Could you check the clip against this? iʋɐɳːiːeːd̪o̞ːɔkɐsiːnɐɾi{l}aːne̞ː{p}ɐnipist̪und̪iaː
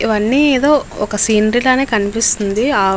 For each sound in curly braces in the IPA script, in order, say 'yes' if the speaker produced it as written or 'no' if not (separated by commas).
yes, no